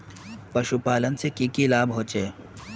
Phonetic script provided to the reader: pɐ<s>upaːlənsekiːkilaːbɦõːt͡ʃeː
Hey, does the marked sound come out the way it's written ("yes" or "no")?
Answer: no